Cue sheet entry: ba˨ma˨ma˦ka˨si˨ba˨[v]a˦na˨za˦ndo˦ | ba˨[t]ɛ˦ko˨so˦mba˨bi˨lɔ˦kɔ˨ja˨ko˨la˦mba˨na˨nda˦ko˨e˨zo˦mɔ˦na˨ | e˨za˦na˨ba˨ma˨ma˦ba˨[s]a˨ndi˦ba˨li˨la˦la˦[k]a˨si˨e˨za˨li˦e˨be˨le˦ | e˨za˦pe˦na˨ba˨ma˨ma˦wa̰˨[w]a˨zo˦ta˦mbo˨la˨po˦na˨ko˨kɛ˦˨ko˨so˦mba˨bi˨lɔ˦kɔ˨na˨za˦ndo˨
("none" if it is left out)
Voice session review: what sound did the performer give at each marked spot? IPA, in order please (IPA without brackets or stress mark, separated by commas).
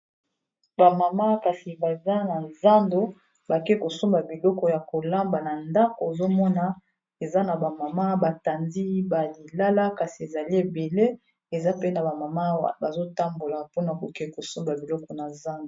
z, k, t, k, b